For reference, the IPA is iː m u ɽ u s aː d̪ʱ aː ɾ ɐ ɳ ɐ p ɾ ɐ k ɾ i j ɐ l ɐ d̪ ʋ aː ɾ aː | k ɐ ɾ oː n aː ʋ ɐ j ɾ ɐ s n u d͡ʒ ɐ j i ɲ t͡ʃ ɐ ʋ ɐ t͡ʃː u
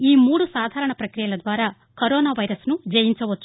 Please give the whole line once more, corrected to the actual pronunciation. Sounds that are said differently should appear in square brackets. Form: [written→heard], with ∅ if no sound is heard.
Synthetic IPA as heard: iː m [u→uː] ɽ u s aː d̪ʱ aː ɾ ɐ ɳ ɐ p ɾ ɐ k ɾ i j ɐ l ɐ d̪ ʋ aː ɾ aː | k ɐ ɾ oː n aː ʋ ɐ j ɾ ɐ s n u d͡ʒ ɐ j i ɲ t͡ʃ ɐ ʋ ɐ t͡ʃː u